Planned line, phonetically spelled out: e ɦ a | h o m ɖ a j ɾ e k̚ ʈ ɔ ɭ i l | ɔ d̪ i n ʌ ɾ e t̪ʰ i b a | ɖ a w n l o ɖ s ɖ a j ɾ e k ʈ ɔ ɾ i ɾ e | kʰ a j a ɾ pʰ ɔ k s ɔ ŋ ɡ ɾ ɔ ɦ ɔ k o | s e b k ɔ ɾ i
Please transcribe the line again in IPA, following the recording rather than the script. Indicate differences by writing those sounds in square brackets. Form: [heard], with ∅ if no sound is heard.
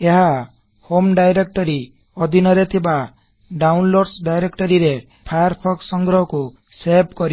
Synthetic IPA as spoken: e ɦ a | h o m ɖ a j ɾ e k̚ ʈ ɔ [ɾ] i [∅] | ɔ d̪ i n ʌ ɾ e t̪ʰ i b a | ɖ a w n l o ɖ s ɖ a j ɾ e k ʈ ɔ ɾ i ɾ e | [pʰ] a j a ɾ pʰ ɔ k s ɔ ŋ ɡ ɾ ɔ ɦ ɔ k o | s e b k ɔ ɾ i